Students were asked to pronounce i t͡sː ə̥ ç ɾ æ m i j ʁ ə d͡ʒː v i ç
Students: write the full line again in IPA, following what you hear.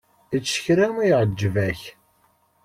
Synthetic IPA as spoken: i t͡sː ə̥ ç ɾ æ m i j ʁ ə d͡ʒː v æ ç